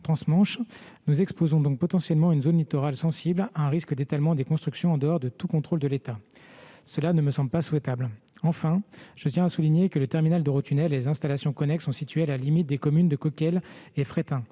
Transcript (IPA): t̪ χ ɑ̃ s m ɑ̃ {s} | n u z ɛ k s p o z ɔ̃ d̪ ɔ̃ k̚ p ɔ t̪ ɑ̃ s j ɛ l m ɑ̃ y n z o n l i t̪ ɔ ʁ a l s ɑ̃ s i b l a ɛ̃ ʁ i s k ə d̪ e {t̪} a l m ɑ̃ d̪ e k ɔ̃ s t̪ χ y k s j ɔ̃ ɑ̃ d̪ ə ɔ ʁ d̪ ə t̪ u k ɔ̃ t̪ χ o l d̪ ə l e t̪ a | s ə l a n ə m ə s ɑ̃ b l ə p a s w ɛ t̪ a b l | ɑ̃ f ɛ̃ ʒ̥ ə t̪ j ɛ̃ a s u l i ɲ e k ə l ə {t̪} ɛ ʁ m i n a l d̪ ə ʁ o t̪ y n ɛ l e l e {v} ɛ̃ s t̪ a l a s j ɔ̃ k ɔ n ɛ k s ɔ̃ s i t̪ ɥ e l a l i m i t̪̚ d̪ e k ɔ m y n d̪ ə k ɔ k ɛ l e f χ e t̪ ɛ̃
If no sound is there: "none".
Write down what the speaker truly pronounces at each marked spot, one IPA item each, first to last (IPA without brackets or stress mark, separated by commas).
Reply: ʃ, t̪, t̪, z